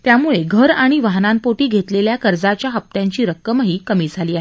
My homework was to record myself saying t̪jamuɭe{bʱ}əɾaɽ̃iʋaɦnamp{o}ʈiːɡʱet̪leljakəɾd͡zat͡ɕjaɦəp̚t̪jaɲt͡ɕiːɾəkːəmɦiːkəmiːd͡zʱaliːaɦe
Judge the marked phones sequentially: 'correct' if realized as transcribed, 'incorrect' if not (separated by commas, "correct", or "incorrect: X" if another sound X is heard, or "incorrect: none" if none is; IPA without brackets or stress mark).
incorrect: ɡʱ, correct